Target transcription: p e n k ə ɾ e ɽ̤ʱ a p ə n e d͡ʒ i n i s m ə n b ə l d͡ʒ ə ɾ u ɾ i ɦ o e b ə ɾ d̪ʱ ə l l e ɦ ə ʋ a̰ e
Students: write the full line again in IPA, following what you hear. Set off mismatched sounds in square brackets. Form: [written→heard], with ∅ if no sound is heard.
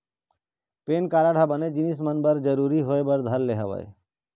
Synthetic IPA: p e n k [ə→a] ɾ [e→a] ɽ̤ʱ a [p→b] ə n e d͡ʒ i n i s m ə n b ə [l→ɾ] d͡ʒ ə ɾ u ɾ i ɦ o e b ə ɾ d̪ʱ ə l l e ɦ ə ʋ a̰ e